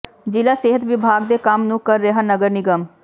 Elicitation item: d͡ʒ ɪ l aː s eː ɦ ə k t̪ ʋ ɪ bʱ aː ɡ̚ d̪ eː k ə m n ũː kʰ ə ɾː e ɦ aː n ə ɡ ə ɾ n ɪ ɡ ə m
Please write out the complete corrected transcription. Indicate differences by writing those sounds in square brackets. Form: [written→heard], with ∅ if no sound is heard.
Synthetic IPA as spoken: d͡ʒ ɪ l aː s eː ɦ ə [k→∅] t̪ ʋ ɪ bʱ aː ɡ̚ d̪ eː k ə m n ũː [kʰ→k] ə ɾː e ɦ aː n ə ɡ ə ɾ n ɪ ɡ ə m

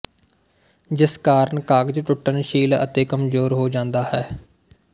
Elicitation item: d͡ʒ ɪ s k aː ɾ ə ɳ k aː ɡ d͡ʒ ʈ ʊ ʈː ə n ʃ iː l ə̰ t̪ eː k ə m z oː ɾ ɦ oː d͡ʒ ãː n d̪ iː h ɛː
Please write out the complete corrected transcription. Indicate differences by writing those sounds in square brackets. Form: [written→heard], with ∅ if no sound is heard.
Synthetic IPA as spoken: d͡ʒ ɪ s k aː ɾ ə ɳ k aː ɡ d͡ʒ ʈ ʊ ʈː ə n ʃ iː l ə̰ t̪ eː k ə m z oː ɾ ɦ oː d͡ʒ ãː n d̪ [iː→aː] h ɛː

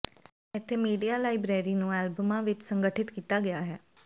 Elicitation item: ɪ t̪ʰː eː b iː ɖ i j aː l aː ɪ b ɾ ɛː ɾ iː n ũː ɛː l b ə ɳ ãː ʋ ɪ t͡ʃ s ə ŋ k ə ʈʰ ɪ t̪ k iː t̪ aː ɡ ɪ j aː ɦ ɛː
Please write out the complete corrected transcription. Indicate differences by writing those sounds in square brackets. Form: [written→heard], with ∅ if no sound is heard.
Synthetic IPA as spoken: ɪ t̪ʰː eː [b→m] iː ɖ i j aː l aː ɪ b ɾ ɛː ɾ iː n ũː ɛː l b ə [ɳ→m] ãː ʋ ɪ t͡ʃ s ə ŋ [k→ɡ] ə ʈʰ ɪ t̪ k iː t̪ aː ɡ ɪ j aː ɦ ɛː

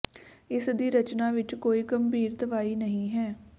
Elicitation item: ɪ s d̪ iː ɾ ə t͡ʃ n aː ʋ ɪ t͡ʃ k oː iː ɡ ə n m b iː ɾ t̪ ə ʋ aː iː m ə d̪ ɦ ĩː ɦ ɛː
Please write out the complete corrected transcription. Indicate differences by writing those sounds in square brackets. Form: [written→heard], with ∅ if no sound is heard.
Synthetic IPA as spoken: ɪ s d̪ iː ɾ ə t͡ʃ n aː ʋ ɪ t͡ʃ k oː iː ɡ ə [n→∅] m b iː ɾ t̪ ə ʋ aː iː [m→n] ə [d̪→∅] ɦ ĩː ɦ ɛː

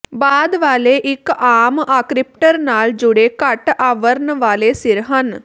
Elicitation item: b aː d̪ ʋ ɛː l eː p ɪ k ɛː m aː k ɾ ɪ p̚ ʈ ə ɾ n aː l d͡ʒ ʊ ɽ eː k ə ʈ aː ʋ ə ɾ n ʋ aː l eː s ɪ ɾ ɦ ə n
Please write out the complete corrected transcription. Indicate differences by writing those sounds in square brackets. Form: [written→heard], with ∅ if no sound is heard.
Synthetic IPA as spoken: b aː d̪ ʋ [ɛː→aː] l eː [p→ʔ] ɪ k [ɛː→aː] m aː k ɾ ɪ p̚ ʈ ə ɾ n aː l d͡ʒ ʊ ɽ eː k ə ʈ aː ʋ ə ɾ n ʋ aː l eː s ɪ ɾ ɦ ə n

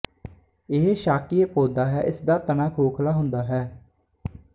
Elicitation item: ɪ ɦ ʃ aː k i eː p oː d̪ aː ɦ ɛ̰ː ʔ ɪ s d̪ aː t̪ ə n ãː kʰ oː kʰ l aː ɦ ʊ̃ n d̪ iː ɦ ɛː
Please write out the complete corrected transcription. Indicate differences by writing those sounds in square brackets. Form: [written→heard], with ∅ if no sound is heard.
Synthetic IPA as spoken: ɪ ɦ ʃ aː k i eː p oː d̪ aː ɦ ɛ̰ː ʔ ɪ s d̪ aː t̪ ə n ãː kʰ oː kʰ l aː ɦ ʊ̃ n d̪ [iː→aː] ɦ ɛː

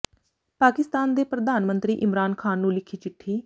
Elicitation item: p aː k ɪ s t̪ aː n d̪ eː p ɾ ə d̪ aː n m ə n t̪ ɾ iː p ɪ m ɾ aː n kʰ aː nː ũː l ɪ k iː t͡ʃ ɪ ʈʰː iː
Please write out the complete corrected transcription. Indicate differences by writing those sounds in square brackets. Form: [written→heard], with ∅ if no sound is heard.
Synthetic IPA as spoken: p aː k ɪ s t̪ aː n d̪ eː p ɾ ə d̪ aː n m ə n t̪ ɾ iː [p→ʔ] ɪ m ɾ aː n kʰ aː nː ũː l ɪ [k→kʰ] iː t͡ʃ ɪ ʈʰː iː

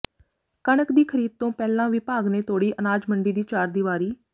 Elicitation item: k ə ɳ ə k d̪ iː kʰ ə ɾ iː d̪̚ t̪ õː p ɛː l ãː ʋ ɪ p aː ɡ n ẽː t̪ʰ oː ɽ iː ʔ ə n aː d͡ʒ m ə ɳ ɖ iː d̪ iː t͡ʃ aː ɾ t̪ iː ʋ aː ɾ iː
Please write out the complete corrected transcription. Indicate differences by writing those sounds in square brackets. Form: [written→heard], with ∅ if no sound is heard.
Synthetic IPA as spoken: k ə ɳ ə k d̪ iː kʰ ə ɾ iː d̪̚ t̪ õː p ɛː l ãː ʋ ɪ p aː ɡ n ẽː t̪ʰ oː ɽ iː ʔ ə n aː d͡ʒ m ə ɳ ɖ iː d̪ iː t͡ʃ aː ɾ [t̪→d̪] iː ʋ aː ɾ iː

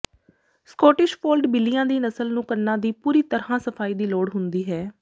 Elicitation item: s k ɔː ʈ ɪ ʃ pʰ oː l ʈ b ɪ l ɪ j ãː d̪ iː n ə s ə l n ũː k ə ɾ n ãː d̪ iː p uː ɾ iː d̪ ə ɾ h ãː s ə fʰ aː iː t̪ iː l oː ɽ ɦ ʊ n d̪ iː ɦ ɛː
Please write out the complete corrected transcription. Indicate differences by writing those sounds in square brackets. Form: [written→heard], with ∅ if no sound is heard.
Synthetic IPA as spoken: s k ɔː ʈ ɪ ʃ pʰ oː l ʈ b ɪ l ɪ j ãː d̪ iː n ə s ə l n ũː k ə ɾ n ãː d̪ iː p uː ɾ iː [d̪→t̪] ə ɾ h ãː s ə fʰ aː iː [t̪→d̪] iː l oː ɽ ɦ ʊ n d̪ iː ɦ ɛː

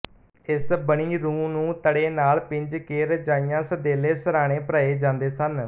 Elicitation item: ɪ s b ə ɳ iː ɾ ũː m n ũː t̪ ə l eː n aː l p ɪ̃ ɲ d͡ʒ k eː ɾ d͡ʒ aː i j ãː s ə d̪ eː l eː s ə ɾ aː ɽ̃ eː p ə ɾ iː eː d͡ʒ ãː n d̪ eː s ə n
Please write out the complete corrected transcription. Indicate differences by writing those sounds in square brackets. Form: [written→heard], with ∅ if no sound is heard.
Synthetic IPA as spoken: ɪ s b ə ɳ iː ɾ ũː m n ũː t̪ ə [l→ɽ] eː n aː l p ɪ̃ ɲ d͡ʒ k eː ɾ d͡ʒ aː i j ãː s ə d̪ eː l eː s ə ɾ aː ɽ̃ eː p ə ɾ [iː→aː] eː d͡ʒ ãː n d̪ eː s ə n

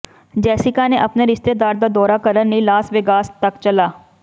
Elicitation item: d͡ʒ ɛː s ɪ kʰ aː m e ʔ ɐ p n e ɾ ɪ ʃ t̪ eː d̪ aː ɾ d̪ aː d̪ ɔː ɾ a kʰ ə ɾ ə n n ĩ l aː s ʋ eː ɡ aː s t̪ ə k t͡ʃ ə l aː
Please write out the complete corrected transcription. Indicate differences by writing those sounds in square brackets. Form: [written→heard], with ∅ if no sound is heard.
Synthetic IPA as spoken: d͡ʒ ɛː s ɪ [kʰ→k] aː [m→n] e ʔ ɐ p n e ɾ ɪ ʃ t̪ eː d̪ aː ɾ d̪ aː d̪ ɔː ɾ a [kʰ→k] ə ɾ ə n n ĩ l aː s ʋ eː ɡ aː s t̪ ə k t͡ʃ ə l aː

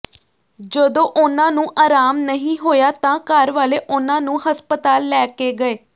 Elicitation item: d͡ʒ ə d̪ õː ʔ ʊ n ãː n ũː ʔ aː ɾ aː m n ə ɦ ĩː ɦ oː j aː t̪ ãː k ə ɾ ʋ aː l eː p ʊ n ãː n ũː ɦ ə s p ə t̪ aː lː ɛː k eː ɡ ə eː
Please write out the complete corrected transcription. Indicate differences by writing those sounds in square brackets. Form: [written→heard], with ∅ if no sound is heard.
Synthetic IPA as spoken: d͡ʒ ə d̪ õː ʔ ʊ n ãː n ũː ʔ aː ɾ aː m n ə ɦ ĩː ɦ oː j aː t̪ ãː k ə ɾ ʋ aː l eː [p→ʔ] ʊ n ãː n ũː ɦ ə s p ə t̪ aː lː ɛː k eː ɡ ə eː

